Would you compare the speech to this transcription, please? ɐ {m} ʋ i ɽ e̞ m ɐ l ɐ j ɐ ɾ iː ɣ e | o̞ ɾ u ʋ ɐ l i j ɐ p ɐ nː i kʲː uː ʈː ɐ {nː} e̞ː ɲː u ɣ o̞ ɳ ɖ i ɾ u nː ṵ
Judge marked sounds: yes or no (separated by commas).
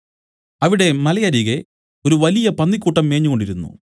no, no